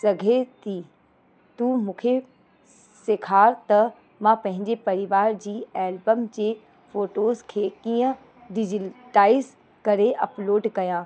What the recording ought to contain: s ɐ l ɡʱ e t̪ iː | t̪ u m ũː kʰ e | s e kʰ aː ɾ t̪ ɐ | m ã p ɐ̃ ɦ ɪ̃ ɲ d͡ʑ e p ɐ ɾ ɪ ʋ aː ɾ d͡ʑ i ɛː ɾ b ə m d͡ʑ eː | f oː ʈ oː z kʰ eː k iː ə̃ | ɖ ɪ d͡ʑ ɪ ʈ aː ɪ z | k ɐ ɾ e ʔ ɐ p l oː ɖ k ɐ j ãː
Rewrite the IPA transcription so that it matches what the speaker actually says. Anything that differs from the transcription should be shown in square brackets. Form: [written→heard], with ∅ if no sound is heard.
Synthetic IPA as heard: s ɐ [l→∅] ɡʱ e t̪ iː | t̪ u m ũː kʰ e | s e kʰ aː ɾ t̪ ɐ | m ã p ɐ̃ ɦ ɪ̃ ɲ d͡ʑ e p ɐ ɾ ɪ ʋ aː ɾ d͡ʑ [i→iː] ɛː [ɾ→l] b ə m d͡ʑ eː | f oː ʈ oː z kʰ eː k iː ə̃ | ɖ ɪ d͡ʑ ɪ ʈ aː ɪ z | k ɐ ɾ e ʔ ɐ p l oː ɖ k ɐ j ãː

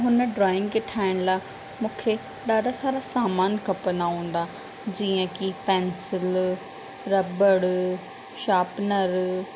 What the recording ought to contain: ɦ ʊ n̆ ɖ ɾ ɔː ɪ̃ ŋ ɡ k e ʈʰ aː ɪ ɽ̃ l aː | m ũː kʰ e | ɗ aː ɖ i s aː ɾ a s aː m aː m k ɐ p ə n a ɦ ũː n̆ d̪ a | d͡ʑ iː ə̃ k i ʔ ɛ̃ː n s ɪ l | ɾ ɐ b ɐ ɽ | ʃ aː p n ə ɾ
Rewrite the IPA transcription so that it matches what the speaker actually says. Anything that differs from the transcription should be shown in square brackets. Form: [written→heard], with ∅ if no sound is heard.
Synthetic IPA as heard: ɦ ʊ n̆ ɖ ɾ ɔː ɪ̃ ŋ ɡ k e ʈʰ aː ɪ ɽ̃ l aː | m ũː kʰ e | ɗ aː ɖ [i→a] s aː ɾ a s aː m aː [m→n] k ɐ p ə n a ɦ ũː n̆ d̪ a | d͡ʑ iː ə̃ k i [ʔ→p] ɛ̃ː n s ɪ l | ɾ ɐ b [ɐ→ə] ɽ | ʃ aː p n ə ɾ

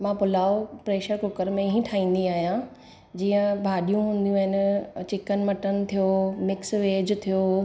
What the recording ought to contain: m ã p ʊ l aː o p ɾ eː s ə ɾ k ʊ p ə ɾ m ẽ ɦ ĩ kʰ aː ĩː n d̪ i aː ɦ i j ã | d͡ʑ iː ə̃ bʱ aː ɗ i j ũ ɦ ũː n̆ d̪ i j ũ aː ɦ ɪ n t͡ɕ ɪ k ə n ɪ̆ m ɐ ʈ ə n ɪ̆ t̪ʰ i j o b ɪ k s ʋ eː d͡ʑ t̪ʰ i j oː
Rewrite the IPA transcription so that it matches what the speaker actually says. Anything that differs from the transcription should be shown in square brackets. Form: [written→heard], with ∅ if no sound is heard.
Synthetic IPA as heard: m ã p ʊ l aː o p ɾ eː [s→ʃ] ə ɾ k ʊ [p→k] ə ɾ m ẽ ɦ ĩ [kʰ→ʈʰ] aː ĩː n d̪ i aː ɦ i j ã | d͡ʑ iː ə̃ bʱ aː ɗ i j ũ ɦ ũː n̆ d̪ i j ũ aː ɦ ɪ n t͡ɕ ɪ k ə n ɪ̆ m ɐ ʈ ə n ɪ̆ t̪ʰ i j o [b→m] ɪ k s ʋ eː d͡ʑ t̪ʰ i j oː

